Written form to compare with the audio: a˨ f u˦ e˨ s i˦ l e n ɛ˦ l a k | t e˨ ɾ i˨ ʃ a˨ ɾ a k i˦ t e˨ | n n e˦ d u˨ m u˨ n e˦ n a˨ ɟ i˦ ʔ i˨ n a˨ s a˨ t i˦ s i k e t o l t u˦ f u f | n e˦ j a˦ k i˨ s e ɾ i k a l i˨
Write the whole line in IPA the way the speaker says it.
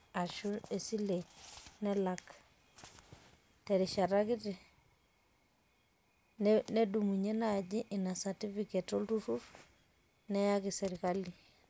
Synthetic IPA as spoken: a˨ ʃ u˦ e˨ s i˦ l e n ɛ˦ l a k | t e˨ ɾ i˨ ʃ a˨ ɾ a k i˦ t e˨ | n n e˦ d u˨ m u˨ ɲ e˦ n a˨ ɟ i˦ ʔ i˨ n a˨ s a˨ t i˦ f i k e t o l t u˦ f u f | n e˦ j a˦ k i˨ s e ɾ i k a l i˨